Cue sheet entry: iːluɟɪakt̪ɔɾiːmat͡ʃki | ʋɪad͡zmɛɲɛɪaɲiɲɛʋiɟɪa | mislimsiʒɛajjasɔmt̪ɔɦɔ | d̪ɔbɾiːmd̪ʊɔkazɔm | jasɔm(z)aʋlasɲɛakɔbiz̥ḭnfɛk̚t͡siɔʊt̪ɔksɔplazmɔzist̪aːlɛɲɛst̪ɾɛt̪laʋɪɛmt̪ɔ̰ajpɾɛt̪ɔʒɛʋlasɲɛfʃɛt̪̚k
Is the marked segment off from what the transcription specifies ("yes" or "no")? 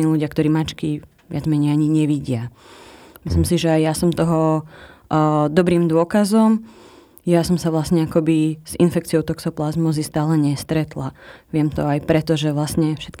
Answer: yes